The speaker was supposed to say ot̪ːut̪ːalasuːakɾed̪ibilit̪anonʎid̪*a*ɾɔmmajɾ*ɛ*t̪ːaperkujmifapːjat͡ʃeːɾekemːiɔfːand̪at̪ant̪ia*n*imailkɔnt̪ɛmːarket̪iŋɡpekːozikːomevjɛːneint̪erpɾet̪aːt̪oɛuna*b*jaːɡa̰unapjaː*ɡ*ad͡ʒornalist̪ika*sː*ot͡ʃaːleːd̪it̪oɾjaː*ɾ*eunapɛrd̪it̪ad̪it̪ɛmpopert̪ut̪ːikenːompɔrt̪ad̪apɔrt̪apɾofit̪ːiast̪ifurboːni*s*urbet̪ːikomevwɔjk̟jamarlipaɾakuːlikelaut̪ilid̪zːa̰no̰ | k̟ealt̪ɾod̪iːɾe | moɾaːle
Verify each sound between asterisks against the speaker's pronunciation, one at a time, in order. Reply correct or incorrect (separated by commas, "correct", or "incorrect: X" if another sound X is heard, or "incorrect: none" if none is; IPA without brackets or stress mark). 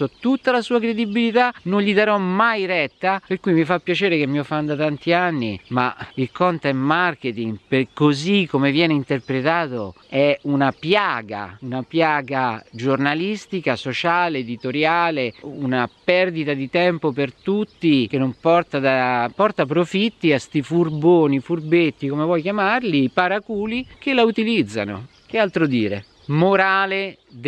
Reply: correct, correct, incorrect: nː, incorrect: p, correct, incorrect: s, incorrect: l, incorrect: f